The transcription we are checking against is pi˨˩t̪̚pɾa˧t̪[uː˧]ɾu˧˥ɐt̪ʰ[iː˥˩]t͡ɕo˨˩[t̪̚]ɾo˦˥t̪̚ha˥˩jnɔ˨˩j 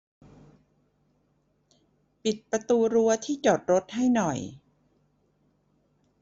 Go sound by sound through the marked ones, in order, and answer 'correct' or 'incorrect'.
correct, correct, correct

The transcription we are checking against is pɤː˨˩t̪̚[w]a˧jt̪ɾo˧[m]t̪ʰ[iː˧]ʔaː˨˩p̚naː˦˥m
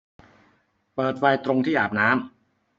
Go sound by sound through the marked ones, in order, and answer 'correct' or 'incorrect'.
correct, incorrect, incorrect

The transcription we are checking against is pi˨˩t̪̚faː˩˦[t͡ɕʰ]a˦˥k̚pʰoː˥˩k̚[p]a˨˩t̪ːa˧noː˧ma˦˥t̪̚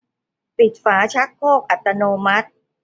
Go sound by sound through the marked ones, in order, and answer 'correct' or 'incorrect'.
correct, incorrect

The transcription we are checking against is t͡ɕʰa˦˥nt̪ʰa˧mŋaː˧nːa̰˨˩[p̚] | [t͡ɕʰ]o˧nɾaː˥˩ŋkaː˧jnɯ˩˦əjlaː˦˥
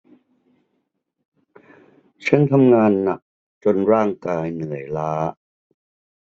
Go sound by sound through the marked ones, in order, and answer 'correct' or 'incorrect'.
incorrect, incorrect

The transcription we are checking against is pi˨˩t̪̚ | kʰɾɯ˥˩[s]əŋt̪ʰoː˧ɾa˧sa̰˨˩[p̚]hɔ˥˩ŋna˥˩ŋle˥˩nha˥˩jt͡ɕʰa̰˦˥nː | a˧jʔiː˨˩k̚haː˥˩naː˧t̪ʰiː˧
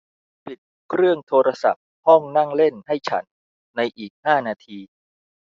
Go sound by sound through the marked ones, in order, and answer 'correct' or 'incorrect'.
incorrect, correct

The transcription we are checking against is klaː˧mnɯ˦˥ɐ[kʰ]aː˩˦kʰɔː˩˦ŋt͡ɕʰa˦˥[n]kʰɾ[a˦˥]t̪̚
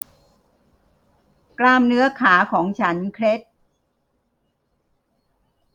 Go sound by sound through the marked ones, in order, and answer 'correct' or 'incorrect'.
correct, correct, incorrect

